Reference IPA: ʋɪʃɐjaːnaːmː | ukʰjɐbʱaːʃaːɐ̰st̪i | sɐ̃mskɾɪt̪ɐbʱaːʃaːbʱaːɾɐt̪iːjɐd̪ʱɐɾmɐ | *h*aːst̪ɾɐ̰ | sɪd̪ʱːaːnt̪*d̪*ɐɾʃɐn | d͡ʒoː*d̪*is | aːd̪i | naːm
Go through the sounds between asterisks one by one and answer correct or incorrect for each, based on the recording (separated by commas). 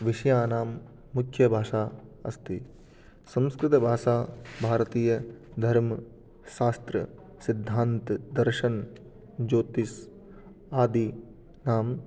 incorrect, correct, incorrect